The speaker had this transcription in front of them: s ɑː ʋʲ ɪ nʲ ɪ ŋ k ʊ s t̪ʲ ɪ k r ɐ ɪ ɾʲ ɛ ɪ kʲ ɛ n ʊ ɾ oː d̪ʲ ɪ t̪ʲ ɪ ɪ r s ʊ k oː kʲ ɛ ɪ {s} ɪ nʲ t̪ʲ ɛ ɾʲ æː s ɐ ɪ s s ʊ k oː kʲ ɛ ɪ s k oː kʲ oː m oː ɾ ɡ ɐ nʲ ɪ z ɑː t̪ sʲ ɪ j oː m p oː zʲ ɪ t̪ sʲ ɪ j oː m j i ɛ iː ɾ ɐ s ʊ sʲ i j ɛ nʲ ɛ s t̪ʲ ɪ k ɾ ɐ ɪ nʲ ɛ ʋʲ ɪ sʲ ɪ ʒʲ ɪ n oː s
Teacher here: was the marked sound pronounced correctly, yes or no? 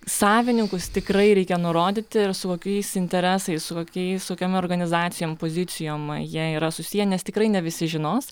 yes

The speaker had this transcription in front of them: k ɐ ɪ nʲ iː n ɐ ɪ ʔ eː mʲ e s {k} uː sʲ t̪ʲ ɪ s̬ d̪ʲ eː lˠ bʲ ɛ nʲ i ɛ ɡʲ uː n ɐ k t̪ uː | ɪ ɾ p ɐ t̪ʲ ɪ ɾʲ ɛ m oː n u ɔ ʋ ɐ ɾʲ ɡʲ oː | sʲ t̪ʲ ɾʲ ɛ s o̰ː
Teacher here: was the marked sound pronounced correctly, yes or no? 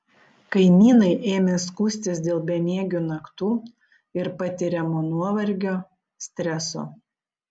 yes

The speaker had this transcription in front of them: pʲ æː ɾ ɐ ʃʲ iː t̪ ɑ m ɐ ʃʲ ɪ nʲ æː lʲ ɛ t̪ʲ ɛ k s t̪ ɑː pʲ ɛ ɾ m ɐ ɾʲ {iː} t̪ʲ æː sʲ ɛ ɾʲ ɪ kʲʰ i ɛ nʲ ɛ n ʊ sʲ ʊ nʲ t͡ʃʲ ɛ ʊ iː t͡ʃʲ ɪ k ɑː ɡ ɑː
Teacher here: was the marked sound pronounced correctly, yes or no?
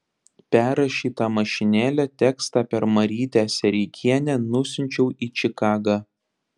yes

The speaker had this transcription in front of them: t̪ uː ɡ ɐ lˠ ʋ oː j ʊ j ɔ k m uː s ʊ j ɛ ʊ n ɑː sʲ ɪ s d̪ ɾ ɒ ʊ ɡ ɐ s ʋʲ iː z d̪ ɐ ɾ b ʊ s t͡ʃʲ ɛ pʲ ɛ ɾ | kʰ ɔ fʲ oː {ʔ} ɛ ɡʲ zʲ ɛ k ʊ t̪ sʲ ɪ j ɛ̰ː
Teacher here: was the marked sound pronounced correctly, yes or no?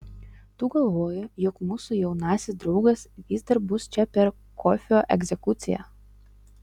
yes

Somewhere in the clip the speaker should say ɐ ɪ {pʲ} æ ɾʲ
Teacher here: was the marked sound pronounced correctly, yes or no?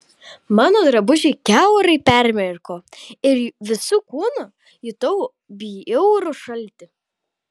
yes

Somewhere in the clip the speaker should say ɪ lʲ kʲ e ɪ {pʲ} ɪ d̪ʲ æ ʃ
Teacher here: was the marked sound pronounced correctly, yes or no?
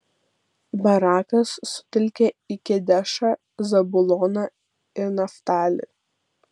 no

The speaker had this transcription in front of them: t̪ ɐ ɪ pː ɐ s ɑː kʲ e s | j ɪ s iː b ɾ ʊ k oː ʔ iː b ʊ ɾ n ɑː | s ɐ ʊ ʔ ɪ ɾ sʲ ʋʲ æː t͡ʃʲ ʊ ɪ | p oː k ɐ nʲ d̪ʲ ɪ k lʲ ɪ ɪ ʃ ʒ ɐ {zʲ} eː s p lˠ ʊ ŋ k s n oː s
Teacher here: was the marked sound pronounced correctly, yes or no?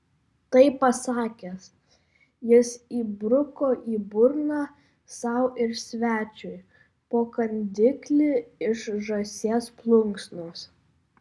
no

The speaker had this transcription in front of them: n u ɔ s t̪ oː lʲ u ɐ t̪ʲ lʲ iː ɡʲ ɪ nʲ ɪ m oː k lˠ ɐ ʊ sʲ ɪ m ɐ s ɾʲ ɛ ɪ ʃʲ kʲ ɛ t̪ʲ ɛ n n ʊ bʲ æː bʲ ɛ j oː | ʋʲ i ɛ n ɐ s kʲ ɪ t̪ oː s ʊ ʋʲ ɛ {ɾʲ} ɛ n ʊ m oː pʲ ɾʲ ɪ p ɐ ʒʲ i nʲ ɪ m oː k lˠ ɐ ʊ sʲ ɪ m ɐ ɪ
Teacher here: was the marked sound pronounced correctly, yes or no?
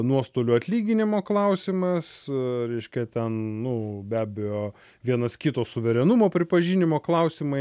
yes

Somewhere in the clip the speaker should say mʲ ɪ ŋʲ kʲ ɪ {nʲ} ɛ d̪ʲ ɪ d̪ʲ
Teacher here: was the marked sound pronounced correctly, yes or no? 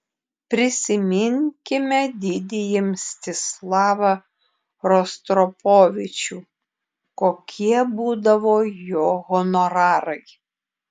no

